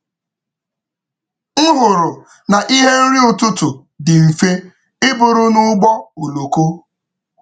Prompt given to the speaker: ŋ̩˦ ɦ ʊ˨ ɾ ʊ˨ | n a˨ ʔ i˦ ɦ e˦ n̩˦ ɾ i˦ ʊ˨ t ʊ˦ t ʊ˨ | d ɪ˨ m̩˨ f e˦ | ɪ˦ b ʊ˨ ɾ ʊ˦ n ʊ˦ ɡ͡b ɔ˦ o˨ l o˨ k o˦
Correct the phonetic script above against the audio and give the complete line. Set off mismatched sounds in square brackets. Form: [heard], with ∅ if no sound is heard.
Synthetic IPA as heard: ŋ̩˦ ɦ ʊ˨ ɾ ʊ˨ | n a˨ ʔ i˦ ɦ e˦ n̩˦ ɾ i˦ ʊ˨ t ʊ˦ t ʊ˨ | d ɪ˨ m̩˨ f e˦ | ɪ˦ b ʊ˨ ɾ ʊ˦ n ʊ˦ ɡ͡b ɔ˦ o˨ l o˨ k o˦